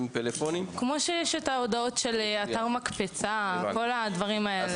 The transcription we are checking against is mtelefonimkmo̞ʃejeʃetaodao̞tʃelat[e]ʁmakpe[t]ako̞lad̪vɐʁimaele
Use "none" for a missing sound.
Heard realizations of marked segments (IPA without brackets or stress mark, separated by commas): a, t͡s